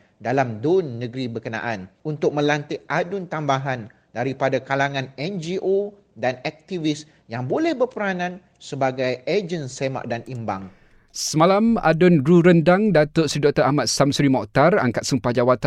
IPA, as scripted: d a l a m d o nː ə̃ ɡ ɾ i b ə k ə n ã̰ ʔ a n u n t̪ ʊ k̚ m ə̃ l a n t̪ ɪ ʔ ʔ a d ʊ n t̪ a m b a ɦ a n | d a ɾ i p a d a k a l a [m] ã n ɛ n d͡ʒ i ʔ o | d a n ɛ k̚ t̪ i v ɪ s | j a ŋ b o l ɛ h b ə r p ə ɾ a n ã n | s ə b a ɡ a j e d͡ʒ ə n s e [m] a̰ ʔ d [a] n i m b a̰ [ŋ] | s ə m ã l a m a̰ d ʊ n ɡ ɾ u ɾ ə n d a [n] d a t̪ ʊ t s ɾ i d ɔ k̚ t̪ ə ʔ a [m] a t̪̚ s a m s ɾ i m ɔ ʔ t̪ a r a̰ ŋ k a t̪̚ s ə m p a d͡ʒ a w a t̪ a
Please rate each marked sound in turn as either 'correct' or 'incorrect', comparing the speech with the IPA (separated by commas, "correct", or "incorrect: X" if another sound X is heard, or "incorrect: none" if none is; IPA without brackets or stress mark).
incorrect: ŋ, correct, correct, correct, incorrect: ŋ, correct